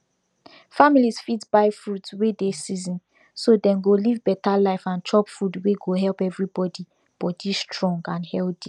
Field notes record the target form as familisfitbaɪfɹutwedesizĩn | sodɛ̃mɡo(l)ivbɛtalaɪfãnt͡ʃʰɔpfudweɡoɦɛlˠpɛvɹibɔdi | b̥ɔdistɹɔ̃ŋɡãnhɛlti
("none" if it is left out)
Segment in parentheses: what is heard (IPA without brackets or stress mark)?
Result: l